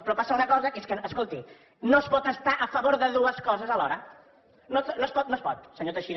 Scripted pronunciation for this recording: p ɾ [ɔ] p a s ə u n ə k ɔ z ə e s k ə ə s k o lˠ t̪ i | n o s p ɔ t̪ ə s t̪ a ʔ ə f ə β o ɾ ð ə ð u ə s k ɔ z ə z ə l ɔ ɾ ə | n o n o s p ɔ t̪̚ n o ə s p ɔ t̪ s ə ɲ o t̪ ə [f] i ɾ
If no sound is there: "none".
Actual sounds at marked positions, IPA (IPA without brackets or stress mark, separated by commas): ɔ, ʃ